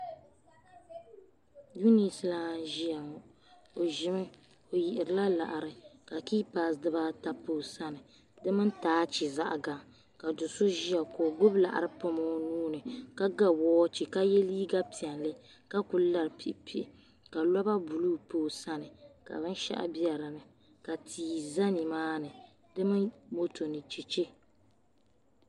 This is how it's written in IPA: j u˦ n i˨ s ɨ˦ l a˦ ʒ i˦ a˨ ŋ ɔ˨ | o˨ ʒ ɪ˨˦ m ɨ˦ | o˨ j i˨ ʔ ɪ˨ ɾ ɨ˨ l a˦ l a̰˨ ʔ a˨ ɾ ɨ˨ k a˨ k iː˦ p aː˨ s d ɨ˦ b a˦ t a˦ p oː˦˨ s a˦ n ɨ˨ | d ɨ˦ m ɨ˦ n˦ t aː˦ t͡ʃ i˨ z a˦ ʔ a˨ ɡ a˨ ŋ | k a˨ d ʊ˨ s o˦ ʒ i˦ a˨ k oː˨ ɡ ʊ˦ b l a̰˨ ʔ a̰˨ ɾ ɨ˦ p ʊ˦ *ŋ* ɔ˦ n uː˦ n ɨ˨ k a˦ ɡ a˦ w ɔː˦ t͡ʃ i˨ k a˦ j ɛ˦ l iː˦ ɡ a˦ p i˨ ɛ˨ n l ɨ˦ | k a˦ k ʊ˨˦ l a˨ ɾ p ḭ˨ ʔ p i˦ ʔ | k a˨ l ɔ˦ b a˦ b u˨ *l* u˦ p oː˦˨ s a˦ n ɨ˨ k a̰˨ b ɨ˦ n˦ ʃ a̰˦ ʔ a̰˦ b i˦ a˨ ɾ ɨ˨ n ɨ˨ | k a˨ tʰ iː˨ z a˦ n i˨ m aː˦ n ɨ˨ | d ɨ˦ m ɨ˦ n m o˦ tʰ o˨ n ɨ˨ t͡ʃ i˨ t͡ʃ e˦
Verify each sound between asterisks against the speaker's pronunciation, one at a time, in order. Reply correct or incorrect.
incorrect, correct

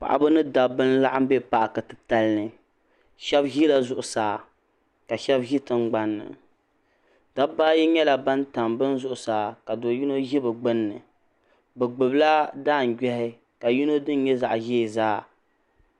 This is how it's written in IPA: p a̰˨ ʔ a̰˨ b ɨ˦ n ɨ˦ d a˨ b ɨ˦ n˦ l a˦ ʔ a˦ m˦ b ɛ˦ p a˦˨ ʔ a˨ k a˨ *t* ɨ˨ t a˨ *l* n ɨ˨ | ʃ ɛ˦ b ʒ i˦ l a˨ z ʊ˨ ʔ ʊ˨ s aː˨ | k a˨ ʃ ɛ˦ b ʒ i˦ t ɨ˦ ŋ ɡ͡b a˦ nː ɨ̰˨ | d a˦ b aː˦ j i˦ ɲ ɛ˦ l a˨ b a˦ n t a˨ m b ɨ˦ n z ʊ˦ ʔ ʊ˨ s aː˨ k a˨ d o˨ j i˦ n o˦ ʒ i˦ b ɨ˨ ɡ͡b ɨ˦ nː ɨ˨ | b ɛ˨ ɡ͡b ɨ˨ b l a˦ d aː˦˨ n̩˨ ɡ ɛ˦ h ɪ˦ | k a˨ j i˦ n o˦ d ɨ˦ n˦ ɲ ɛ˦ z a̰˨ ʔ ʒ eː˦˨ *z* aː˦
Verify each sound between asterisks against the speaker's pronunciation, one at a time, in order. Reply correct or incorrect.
correct, correct, correct

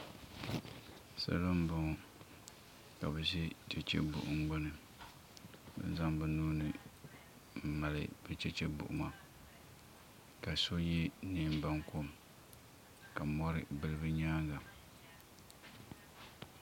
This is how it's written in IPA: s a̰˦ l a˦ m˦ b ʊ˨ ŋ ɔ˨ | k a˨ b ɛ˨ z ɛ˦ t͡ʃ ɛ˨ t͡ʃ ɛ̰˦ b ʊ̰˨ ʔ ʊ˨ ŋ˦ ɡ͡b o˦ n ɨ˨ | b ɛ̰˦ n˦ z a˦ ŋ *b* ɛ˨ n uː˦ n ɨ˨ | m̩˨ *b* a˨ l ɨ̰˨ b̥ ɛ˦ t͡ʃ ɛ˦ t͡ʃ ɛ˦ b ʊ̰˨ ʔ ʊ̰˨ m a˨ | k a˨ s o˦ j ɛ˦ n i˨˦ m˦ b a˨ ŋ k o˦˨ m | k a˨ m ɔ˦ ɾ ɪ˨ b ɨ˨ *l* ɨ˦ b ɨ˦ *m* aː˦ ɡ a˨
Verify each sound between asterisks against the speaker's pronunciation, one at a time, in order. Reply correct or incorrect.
correct, incorrect, correct, incorrect

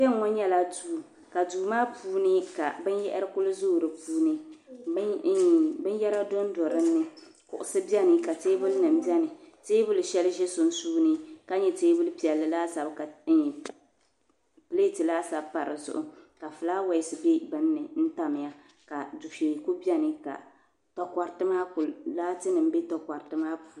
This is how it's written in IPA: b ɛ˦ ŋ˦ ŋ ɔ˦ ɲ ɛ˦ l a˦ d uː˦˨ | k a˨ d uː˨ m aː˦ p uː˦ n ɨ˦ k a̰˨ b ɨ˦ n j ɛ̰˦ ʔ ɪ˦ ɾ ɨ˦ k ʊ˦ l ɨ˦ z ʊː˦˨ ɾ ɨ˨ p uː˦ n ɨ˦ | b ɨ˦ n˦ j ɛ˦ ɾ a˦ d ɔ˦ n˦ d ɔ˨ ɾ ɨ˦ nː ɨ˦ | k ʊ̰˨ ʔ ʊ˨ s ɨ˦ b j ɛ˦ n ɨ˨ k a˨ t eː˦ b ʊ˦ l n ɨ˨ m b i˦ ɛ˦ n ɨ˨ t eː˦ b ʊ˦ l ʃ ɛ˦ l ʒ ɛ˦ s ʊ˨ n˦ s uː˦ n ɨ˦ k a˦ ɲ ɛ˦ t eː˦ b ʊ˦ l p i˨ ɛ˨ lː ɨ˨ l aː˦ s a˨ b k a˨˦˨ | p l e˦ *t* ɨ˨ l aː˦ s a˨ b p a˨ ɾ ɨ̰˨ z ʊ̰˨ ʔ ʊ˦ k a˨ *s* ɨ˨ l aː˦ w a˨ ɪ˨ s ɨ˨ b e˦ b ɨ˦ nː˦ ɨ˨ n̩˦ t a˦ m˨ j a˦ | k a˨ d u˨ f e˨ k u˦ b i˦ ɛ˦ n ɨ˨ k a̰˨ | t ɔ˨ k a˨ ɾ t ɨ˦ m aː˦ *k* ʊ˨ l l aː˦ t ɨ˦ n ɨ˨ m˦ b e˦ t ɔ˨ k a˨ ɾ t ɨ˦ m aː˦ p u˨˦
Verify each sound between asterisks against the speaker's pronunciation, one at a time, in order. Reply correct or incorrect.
correct, incorrect, correct

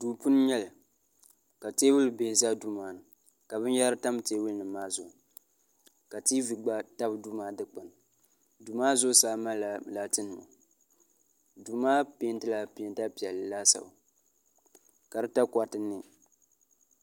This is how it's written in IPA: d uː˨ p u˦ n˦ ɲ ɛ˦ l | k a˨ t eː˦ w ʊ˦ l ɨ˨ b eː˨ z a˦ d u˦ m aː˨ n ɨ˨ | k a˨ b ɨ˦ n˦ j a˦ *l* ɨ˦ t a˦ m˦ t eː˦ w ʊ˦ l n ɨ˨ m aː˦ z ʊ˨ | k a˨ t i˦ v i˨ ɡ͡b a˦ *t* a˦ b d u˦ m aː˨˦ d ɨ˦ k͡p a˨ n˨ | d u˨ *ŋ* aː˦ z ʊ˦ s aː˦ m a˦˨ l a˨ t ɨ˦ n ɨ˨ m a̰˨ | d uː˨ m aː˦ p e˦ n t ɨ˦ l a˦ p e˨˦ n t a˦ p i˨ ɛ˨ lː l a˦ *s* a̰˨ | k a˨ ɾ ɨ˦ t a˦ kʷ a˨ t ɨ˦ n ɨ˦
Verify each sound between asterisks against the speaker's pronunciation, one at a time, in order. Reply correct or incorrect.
incorrect, correct, incorrect, correct

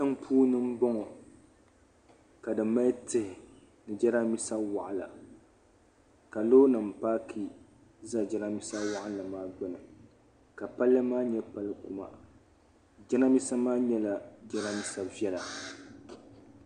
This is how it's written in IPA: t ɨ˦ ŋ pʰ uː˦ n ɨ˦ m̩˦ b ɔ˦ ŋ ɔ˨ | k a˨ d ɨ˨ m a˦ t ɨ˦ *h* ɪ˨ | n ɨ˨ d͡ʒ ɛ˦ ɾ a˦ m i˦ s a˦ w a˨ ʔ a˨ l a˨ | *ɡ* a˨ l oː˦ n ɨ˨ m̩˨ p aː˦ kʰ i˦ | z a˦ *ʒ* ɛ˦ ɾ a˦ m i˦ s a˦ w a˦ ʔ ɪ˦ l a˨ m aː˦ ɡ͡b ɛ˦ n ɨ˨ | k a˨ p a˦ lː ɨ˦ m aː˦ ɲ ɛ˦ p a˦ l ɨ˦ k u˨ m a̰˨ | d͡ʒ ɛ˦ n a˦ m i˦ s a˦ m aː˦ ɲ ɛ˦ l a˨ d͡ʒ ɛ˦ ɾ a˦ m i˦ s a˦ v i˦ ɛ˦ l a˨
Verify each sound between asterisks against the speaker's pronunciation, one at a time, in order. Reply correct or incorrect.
correct, incorrect, incorrect

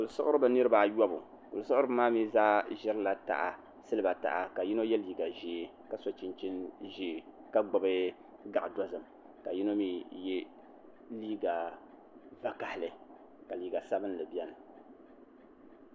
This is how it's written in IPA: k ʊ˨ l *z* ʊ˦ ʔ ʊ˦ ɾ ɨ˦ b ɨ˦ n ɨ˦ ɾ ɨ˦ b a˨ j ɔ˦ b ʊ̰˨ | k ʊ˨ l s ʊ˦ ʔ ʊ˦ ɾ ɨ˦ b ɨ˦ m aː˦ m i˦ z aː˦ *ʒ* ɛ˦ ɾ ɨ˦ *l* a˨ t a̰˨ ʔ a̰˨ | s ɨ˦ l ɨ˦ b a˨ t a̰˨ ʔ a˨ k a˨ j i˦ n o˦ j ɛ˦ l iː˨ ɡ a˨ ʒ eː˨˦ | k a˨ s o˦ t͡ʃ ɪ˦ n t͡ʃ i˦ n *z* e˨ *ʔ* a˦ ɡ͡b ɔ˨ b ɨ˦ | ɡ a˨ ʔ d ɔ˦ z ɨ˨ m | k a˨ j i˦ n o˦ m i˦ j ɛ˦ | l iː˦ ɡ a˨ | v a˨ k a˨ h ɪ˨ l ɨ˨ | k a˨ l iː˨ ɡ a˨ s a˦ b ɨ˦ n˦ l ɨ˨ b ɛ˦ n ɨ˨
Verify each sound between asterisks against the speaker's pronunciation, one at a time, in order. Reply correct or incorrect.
incorrect, correct, correct, incorrect, incorrect

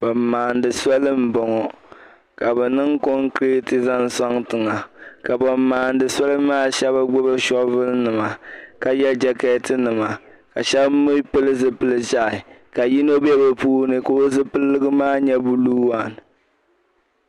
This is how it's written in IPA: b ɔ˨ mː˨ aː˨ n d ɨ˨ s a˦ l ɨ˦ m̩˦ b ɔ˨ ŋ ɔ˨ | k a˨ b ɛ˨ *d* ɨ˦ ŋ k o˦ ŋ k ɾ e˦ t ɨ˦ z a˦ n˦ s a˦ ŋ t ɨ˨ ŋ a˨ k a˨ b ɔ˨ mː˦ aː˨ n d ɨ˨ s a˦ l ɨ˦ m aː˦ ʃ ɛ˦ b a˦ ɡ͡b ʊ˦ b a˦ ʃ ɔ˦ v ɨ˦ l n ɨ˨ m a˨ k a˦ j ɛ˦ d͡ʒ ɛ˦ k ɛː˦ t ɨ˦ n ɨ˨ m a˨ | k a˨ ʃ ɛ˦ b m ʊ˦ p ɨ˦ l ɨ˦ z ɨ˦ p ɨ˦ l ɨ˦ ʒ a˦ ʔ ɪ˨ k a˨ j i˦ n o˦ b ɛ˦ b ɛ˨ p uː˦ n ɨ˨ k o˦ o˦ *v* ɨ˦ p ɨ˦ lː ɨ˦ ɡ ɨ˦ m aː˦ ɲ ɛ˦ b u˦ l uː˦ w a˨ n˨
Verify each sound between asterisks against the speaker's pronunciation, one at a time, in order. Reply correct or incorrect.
incorrect, incorrect

